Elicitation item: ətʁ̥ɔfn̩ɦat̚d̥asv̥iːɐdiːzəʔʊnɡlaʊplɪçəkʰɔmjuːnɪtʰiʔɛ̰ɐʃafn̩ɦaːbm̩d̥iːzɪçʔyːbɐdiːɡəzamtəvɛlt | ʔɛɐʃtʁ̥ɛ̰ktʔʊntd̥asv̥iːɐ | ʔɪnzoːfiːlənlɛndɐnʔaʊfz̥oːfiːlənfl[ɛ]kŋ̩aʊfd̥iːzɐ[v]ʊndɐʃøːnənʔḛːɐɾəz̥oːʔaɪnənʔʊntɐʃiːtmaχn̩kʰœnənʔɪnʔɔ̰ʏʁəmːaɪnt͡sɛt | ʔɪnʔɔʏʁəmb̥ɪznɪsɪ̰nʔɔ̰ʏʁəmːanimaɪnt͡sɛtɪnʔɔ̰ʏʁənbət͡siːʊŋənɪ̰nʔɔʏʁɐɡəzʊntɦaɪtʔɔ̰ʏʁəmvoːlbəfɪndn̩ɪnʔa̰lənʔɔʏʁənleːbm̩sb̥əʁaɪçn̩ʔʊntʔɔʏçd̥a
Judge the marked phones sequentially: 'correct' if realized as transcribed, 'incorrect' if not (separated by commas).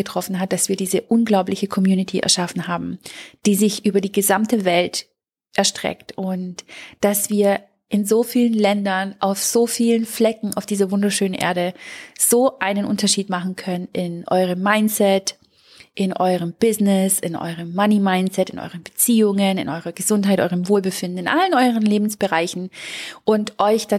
correct, correct